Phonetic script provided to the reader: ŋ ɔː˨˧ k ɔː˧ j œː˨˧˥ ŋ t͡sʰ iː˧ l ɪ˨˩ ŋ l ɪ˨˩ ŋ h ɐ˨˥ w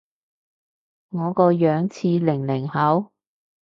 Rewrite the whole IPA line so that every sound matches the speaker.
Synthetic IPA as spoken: ŋ ɔː˨˧ k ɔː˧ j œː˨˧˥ ŋ t͡sʰ iː˧ l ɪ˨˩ ŋ l ɪ˨˩ ŋ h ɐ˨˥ w